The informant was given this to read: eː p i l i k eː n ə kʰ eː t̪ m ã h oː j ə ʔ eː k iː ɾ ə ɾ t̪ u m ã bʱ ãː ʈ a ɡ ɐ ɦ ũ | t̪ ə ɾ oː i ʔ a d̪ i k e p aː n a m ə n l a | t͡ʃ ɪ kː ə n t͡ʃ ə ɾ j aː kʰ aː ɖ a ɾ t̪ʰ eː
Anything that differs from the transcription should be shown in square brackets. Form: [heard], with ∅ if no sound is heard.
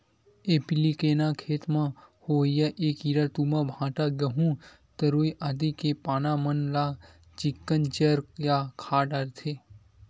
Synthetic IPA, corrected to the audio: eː p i l i k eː n [a] kʰ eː t̪ m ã h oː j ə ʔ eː k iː ɾ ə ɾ t̪ u m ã bʱ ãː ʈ a ɡ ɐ ɦ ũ | t̪ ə ɾ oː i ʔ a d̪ i k e p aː n a m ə n l a | t͡ʃ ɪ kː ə n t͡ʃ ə ɾ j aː kʰ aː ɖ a ɾ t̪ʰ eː